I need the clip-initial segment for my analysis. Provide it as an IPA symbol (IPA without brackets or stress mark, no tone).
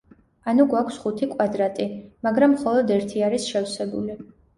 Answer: a